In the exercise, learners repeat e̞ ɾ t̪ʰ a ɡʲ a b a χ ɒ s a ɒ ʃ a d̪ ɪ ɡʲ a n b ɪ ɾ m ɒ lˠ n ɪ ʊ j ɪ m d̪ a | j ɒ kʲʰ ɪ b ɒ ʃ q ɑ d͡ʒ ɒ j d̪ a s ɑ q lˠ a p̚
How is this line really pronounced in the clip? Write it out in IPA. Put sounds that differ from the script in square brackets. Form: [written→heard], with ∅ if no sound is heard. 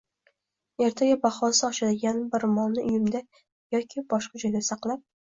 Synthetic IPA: e̞ ɾ t̪ʰ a ɡʲ a b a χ ɒ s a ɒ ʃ a d̪ ɪ ɡʲ a n b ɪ ɾ m ɒ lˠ n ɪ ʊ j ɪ m d̪ a | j ɒ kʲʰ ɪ b ɒ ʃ q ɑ d͡ʒ ɒ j d̪ a s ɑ q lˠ a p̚